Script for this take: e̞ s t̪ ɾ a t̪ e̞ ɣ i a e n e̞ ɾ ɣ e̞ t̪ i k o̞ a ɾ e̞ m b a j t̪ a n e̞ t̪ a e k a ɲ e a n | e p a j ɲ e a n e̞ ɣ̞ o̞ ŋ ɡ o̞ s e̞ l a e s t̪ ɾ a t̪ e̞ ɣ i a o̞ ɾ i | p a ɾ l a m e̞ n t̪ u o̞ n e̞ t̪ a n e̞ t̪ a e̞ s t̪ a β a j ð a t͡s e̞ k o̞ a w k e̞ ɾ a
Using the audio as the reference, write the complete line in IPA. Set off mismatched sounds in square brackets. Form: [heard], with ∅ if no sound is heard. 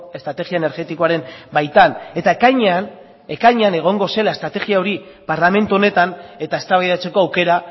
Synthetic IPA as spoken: e̞ s t̪ ɾ a t̪ e̞ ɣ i a e n e̞ ɾ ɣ e̞ t̪ i k o̞ a ɾ e̞ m b a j t̪ a n e̞ t̪ a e k a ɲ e a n | e [k] a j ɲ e a n e̞ ɣ̞ o̞ ŋ ɡ o̞ s e̞ l a e s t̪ ɾ a t̪ e̞ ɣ i a o̞ ɾ i | p a ɾ l a m e̞ n t̪ u o̞ n e̞ t̪ a n e̞ t̪ a e̞ s t̪ a β a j ð a t͡s e̞ k o̞ a w k e̞ ɾ a